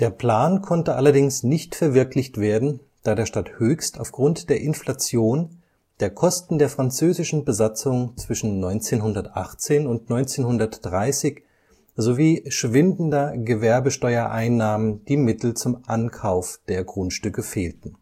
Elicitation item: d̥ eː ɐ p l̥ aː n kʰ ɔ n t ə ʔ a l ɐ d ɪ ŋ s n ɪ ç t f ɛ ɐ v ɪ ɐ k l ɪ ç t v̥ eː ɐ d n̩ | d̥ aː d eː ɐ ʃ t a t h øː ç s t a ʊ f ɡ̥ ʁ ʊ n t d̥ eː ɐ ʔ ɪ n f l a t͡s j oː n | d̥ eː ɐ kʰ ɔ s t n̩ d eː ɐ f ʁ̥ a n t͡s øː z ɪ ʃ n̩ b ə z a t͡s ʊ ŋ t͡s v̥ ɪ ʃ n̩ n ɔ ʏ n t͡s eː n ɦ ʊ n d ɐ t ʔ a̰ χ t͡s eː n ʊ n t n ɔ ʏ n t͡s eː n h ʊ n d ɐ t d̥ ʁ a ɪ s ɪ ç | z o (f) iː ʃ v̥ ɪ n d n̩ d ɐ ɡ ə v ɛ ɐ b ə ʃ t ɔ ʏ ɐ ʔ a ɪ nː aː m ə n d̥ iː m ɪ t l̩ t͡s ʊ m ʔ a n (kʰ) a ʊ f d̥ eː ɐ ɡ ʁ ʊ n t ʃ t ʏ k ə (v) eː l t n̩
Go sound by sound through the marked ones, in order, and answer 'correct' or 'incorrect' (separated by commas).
incorrect, correct, incorrect